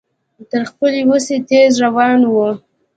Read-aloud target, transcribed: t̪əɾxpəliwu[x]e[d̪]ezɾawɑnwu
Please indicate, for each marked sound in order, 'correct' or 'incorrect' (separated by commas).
incorrect, incorrect